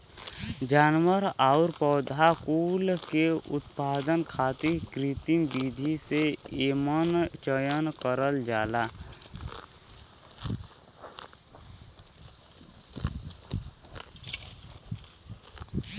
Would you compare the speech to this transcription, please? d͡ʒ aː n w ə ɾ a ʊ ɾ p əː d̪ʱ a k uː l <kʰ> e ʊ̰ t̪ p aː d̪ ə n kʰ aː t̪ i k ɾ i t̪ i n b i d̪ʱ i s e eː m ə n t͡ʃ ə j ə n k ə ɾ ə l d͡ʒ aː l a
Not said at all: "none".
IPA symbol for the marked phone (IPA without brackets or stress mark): k